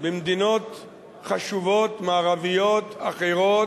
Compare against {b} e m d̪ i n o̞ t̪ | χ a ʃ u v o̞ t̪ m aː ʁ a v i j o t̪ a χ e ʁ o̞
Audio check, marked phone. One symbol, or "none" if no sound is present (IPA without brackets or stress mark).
b